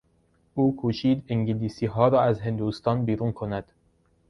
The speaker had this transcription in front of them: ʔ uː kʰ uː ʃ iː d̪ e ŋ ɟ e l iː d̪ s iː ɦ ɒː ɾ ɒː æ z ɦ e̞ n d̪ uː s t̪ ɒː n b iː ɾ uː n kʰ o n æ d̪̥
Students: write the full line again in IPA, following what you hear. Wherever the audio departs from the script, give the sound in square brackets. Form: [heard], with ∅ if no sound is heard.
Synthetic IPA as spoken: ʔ uː kʰ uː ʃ iː d̪ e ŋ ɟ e l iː [∅] s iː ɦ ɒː ɾ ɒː æ z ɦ e̞ n d̪ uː s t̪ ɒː n b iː ɾ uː n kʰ o n æ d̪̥